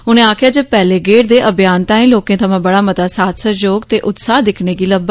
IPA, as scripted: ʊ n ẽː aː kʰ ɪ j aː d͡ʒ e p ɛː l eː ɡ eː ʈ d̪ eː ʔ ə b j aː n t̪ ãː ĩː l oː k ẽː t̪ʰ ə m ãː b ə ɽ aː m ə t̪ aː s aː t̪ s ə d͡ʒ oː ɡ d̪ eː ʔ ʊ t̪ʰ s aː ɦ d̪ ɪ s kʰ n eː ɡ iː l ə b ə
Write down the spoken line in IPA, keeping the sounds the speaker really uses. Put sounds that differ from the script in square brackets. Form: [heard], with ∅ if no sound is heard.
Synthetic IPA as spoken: ʊ n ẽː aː kʰ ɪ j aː d͡ʒ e p ɛː l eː ɡ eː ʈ d̪ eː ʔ ə b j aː n t̪ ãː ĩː l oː k ẽː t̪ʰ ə m ãː b ə ɽ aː m ə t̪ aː s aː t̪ s ə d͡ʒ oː ɡ [t̪] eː ʔ ʊ [t̪] s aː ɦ d̪ ɪ [∅] kʰ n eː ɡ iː l ə b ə